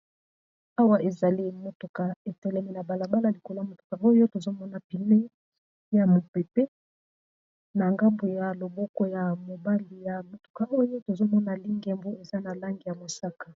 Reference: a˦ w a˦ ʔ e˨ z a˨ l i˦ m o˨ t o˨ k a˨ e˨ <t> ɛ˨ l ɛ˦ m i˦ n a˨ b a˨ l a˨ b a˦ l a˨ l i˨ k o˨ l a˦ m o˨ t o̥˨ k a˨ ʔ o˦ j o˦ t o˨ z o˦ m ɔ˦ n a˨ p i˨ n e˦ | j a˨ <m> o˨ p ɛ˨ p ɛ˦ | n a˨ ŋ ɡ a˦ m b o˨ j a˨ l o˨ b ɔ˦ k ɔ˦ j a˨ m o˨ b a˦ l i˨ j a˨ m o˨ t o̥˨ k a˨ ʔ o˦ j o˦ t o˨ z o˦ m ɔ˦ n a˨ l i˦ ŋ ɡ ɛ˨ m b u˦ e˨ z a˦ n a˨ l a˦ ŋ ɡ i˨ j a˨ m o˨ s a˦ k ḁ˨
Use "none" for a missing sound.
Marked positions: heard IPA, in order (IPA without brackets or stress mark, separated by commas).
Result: t, m